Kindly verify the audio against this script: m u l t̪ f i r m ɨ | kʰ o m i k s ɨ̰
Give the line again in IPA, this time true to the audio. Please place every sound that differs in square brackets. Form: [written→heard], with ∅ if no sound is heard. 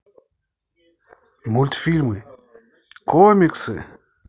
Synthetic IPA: m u l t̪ f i [r→l] m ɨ | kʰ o m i k s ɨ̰